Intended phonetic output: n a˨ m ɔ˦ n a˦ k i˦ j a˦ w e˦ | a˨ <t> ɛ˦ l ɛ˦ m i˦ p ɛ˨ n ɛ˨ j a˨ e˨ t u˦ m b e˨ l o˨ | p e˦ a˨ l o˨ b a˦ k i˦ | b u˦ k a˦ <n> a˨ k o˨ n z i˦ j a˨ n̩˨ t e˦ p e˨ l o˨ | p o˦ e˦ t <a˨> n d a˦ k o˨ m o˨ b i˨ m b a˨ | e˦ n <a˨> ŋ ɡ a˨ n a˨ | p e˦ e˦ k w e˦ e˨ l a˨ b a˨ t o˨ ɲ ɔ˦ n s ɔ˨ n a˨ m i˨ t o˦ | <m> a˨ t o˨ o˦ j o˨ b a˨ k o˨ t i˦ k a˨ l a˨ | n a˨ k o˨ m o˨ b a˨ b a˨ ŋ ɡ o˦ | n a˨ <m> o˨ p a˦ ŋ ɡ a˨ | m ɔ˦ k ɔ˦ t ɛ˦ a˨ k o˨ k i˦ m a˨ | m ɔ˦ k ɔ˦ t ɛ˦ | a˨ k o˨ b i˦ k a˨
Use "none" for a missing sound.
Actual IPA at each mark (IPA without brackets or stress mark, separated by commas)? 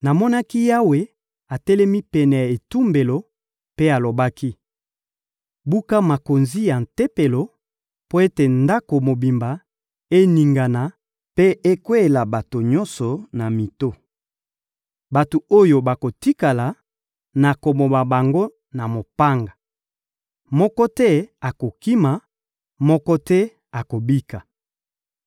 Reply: t, m, e˨, i˨, b, m